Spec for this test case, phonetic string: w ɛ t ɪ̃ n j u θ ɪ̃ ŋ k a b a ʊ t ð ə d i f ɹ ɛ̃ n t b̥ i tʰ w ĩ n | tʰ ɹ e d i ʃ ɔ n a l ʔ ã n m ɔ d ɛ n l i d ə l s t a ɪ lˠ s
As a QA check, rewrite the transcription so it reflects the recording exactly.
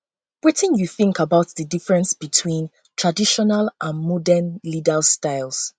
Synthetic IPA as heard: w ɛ t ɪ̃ n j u θ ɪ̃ ŋ k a b a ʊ t ð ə d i f ɹ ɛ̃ n s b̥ i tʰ w ĩ n | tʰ ɹ a d i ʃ ɔ n a l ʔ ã n m ɔ d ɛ n l i d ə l s t a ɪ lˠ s